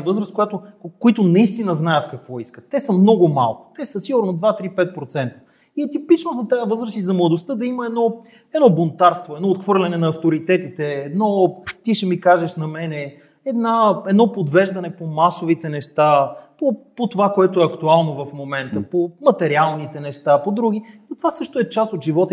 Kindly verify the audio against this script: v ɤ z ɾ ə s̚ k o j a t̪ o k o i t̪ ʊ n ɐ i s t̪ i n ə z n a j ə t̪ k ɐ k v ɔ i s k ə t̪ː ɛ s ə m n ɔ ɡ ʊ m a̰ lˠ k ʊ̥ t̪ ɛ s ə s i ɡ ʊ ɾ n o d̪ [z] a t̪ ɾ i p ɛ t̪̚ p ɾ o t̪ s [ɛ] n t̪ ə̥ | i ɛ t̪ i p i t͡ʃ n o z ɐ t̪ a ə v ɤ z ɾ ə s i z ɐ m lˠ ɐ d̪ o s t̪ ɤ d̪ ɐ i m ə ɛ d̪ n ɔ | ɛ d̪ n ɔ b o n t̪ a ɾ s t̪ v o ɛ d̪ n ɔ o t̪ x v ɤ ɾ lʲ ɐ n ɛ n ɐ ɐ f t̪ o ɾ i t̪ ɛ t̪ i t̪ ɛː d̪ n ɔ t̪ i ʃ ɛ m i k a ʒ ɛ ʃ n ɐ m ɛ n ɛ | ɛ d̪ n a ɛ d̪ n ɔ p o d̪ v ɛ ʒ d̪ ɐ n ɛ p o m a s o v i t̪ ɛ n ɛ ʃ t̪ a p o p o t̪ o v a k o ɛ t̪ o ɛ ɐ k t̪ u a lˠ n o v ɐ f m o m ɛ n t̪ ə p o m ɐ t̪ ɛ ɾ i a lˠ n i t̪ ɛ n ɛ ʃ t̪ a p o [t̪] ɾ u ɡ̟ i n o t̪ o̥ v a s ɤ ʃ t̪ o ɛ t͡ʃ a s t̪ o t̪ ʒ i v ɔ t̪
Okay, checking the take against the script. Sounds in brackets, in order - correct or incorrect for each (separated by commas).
incorrect, correct, incorrect